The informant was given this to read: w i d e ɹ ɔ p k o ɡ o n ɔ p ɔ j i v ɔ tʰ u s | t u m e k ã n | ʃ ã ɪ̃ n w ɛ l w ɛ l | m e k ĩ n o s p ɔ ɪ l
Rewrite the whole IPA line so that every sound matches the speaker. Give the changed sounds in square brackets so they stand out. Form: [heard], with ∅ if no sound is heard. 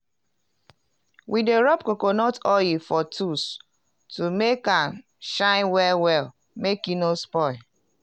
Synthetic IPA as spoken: w i d e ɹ ɔ p k o [k] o n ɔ [t] ɔ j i [f] ɔ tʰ u s | t u m e k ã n | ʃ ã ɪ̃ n w ɛ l w ɛ l | m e k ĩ n o s p ɔ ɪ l